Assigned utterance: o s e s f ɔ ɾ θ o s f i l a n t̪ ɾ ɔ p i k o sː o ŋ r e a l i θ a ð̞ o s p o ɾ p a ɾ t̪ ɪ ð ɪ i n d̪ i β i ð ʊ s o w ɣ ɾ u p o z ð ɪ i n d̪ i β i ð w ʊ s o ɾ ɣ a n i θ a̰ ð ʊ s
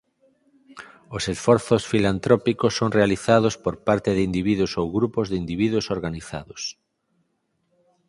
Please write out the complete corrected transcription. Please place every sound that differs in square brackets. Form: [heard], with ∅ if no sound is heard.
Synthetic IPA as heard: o s e s f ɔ ɾ θ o s f i l a n t̪ ɾ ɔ p i k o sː o ŋ r e a l i θ a ð̞ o s p o ɾ p a ɾ t̪ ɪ ð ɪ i n d̪ i β i ð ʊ s o w ɣ ɾ u p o z ð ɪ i n d̪ i β i ð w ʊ s o ɾ ɣ a n i θ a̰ ð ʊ s